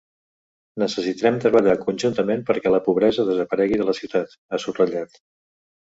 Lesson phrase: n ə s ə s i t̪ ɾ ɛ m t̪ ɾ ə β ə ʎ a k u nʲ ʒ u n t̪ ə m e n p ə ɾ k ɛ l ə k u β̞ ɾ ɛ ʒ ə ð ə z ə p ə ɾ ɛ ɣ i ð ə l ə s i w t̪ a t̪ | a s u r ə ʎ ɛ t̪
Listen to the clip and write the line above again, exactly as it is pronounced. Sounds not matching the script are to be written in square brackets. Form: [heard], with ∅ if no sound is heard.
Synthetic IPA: n ə s ə s i t̪ ɾ ɛ m t̪ ɾ ə β ə ʎ a k u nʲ ʒ u n t̪ ə m e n p ə ɾ k ɛ l ə [p] u β̞ ɾ ɛ [z] ə ð ə z ə p ə ɾ ɛ ɣ i ð ə l ə s i w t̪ a t̪ | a s u r ə ʎ [a] t̪